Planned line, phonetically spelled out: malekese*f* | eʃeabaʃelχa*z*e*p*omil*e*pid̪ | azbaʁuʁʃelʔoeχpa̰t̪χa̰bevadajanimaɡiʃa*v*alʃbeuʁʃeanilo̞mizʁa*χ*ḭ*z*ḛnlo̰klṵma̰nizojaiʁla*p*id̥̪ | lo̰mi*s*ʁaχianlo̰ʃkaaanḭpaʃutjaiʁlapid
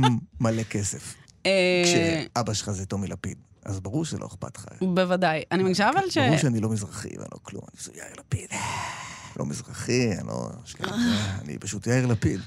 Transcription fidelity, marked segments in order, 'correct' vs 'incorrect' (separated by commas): correct, correct, incorrect, incorrect, correct, correct, incorrect, correct, incorrect